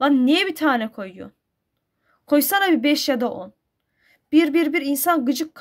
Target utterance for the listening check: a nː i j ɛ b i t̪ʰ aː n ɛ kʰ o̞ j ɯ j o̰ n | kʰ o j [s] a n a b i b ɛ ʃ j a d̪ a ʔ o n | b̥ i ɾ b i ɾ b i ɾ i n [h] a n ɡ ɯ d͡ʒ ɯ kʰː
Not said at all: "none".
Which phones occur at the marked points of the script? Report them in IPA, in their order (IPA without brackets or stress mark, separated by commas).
s, s